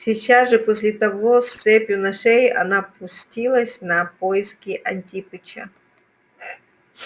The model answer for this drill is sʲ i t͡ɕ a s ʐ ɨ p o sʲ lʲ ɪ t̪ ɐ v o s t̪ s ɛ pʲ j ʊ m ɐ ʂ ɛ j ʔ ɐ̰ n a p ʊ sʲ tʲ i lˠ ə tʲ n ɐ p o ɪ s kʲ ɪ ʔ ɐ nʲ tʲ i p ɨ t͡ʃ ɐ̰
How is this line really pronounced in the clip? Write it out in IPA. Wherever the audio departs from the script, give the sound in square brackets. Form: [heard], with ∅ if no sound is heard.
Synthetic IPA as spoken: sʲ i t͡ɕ a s ʐ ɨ p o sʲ lʲ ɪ t̪ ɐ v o s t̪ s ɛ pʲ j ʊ [n] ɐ ʂ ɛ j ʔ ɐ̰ n a p ʊ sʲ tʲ i lˠ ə [sʲ] n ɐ p o ɪ s kʲ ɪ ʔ ɐ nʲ tʲ i p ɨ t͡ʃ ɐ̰